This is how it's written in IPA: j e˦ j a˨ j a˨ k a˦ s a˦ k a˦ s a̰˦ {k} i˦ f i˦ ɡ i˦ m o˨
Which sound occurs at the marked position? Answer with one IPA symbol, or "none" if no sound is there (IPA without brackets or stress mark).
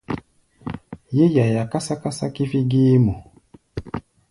k